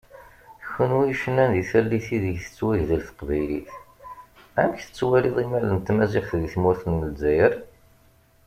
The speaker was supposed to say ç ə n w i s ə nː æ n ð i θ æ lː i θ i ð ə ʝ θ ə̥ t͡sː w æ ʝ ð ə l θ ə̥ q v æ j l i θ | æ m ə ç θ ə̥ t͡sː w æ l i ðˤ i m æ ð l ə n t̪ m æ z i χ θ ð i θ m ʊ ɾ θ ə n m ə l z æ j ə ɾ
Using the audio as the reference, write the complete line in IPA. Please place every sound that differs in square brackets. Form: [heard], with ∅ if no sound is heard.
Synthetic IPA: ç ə n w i [ʃ] ə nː æ n ð i θ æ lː i θ i ð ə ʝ θ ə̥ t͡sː w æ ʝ ð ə l θ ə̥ q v æ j l i θ | æ m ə ç θ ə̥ t͡sː w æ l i ðˤ i m æ [∅] l ə n t̪ m æ z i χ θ ð i θ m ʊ ɾ θ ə n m ə l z æ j ə ɾ